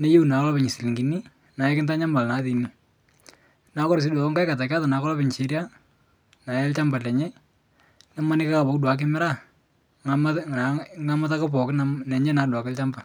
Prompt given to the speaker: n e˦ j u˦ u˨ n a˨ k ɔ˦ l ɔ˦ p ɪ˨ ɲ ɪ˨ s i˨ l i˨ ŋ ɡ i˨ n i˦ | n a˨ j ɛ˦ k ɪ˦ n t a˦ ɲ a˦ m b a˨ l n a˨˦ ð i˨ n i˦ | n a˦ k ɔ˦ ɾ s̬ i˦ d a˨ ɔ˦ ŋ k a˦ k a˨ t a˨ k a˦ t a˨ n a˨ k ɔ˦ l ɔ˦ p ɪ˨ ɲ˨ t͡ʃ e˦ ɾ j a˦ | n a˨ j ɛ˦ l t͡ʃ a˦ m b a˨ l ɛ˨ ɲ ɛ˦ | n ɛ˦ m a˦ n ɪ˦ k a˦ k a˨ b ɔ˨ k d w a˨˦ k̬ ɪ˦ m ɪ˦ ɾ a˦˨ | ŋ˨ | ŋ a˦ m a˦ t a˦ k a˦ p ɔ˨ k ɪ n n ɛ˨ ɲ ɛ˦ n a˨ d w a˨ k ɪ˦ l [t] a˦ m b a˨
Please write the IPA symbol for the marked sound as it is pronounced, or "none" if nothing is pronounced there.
t͡ʃ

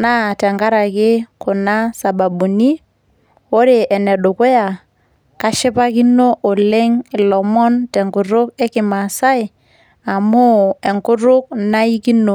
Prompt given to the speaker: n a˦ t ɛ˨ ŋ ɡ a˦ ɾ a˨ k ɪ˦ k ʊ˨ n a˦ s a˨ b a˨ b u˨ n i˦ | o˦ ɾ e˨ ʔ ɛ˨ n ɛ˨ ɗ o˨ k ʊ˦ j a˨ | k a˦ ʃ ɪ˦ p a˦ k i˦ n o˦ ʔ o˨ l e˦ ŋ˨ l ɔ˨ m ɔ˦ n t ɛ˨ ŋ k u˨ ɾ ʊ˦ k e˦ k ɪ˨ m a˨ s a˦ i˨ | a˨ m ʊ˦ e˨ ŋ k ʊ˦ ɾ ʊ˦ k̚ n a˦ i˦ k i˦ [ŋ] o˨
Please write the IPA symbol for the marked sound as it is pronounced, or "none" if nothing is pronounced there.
n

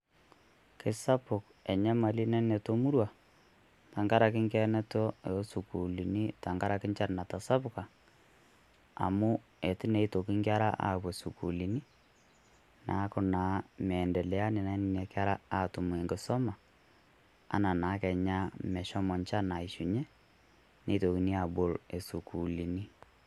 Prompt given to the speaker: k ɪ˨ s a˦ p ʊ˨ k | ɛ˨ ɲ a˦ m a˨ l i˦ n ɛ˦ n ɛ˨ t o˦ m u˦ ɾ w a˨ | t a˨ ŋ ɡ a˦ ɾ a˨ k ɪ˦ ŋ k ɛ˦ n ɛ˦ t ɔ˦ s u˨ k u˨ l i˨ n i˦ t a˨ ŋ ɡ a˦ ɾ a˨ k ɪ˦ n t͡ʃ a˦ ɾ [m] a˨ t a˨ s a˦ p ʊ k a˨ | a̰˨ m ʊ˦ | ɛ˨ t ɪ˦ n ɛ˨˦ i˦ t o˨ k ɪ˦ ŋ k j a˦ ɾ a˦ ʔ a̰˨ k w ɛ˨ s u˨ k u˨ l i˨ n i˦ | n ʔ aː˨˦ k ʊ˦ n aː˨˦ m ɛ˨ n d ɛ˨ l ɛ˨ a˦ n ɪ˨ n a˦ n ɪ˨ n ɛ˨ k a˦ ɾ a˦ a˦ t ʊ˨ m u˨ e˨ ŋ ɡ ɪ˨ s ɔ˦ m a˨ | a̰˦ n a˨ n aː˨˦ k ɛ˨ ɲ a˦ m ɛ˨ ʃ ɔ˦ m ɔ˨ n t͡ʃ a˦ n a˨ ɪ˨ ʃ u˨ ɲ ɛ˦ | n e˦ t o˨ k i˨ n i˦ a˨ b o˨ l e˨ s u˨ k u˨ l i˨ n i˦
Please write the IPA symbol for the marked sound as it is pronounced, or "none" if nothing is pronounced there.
n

